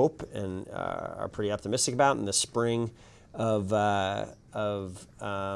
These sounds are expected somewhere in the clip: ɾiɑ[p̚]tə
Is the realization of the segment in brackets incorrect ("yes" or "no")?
no